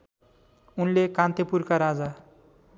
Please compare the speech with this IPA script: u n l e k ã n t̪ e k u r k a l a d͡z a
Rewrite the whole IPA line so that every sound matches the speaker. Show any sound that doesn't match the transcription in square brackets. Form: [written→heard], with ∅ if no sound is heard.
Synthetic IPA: u n l e k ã n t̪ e [k→p] u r k a [l→ɾ] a d͡z a